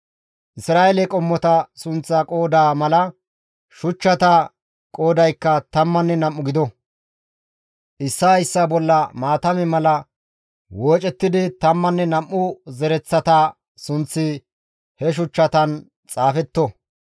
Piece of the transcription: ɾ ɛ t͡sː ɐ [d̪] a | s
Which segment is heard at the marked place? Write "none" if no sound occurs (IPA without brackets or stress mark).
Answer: t̪